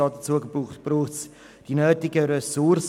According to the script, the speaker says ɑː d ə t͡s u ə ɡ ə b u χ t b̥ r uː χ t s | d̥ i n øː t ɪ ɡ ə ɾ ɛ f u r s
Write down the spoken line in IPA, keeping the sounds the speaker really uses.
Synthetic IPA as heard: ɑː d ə t͡s u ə ɡ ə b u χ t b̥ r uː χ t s | d̥ i n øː t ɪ ɡ ə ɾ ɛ s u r s